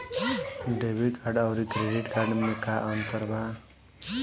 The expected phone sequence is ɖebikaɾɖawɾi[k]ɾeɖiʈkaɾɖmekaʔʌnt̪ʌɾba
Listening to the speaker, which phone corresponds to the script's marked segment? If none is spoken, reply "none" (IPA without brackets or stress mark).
k